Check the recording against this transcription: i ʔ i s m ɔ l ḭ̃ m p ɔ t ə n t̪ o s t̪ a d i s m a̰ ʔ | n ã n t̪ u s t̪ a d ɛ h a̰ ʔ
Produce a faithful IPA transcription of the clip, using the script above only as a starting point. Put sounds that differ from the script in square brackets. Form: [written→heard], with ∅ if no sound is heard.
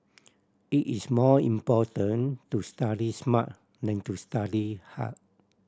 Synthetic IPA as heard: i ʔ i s m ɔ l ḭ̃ m p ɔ t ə n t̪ [o→u] s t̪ a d i s m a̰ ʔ | n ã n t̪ u s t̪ a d [ɛ→i] h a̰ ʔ